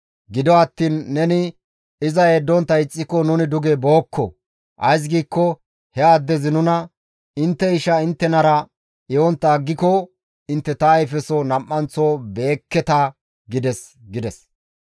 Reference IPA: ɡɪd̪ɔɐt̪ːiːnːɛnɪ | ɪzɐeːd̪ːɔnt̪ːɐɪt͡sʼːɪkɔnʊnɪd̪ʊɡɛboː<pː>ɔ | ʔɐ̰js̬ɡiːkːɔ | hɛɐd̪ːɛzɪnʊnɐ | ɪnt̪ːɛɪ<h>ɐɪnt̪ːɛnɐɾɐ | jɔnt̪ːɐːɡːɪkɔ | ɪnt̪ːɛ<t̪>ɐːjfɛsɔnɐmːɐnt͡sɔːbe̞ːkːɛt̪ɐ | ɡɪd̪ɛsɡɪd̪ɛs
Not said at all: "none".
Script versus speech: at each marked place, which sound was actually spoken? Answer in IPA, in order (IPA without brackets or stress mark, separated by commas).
kː, ʃ, t̪